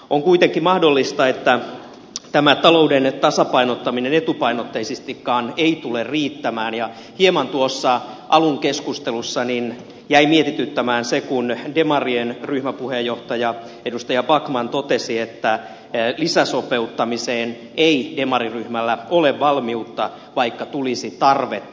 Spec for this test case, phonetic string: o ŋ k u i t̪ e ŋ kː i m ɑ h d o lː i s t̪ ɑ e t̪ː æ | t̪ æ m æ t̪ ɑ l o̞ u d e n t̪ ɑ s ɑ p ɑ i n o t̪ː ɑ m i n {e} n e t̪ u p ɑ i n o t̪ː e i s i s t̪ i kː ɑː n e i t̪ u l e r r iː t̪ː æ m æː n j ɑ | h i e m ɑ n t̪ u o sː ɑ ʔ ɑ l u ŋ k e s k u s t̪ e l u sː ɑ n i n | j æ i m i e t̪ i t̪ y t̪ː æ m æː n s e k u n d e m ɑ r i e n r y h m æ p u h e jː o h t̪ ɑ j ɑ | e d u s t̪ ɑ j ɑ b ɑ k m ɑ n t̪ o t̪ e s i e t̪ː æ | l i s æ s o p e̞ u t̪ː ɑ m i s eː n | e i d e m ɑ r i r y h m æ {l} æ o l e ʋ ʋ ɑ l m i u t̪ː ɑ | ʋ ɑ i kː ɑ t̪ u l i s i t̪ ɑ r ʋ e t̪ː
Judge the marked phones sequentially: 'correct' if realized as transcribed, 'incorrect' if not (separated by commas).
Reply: correct, incorrect